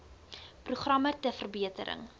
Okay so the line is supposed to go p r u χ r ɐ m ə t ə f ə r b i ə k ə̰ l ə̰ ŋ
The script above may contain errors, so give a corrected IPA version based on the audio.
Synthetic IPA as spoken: p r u χ r ɐ m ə t ə f ə r b i ə t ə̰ ɾ ə̰ ŋ